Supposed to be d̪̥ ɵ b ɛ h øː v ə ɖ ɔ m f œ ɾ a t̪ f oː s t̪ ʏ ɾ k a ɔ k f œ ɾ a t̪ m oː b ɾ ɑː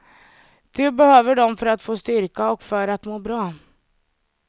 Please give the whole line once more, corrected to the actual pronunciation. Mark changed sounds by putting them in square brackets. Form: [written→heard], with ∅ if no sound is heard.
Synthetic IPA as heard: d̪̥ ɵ b ɛ h øː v ə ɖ ɔ m f œ ɾ a t̪ f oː s t̪ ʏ ɾ k a ɔ k f œ ɾ a t̪ m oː b ɾ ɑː